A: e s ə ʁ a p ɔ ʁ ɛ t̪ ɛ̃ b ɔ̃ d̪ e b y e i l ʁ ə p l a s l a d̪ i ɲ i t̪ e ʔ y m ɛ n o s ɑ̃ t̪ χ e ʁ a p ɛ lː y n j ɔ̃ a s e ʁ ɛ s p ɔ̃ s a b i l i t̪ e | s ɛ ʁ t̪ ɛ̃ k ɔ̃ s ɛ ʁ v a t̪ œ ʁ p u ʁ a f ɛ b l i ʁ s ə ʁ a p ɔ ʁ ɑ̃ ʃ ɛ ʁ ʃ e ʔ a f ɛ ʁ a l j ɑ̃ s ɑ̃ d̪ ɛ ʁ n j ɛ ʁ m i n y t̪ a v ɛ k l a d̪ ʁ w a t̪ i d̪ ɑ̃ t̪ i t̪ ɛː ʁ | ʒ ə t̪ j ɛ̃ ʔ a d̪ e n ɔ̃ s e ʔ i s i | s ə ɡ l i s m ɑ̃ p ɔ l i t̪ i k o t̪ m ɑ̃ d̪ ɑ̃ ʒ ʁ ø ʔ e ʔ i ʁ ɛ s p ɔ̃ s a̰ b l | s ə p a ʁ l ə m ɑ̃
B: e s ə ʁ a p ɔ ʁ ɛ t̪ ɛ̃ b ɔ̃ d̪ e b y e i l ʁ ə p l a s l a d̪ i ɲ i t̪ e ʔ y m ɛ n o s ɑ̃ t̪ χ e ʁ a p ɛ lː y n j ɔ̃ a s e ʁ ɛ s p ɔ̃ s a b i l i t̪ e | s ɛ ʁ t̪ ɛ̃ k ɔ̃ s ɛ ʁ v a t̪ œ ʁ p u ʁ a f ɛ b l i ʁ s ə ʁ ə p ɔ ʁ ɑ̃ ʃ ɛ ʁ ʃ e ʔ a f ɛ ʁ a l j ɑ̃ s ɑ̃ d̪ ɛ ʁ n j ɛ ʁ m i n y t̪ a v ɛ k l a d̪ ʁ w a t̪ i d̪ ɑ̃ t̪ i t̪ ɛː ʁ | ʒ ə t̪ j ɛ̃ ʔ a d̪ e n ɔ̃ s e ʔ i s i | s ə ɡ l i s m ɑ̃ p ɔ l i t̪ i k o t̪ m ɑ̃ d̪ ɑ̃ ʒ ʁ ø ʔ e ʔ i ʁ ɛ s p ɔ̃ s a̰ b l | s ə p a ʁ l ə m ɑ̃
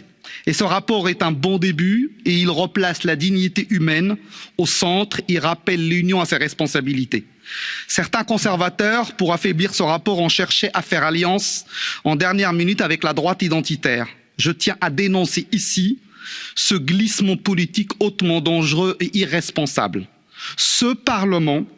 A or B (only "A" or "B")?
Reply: A